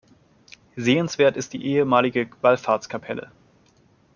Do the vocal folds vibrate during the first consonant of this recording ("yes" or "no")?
yes